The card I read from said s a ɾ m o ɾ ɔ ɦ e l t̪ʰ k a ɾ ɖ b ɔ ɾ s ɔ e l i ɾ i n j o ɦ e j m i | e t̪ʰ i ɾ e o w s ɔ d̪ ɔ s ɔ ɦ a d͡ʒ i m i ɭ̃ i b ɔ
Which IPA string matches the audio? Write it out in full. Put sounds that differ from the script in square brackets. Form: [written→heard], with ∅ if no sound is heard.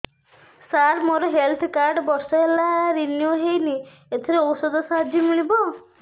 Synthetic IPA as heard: s a ɾ m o ɾ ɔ ɦ e l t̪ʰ k a ɾ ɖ b ɔ ɾ s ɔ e l [i→a] ɾ i n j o ɦ e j [m→n] i | e t̪ʰ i ɾ e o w s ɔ d̪ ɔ s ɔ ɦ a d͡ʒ i m i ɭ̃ i b ɔ